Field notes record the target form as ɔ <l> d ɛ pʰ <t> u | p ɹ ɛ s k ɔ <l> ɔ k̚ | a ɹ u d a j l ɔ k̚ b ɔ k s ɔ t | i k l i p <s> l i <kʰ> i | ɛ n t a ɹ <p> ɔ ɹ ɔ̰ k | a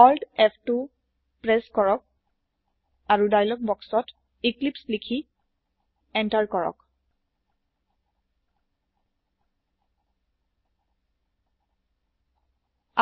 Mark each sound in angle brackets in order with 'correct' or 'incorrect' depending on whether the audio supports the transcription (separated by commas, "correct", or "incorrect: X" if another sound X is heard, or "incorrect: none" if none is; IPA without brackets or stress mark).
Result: correct, correct, incorrect: ɹ, correct, correct, incorrect: k